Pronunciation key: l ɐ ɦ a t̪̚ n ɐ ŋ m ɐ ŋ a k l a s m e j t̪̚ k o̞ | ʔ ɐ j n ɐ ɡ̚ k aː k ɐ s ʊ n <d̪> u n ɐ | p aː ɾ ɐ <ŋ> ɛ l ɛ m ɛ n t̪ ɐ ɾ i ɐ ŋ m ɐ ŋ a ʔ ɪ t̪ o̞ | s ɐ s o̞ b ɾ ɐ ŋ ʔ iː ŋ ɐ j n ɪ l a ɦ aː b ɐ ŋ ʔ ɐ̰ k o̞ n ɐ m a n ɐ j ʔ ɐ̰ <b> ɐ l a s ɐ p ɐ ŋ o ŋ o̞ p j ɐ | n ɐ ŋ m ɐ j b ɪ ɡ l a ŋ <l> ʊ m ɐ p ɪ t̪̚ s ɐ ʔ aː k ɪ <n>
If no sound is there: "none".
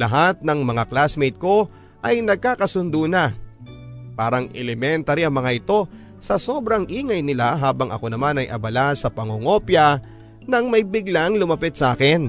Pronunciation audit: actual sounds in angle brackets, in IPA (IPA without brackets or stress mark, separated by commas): d̪, ŋ, b, l, n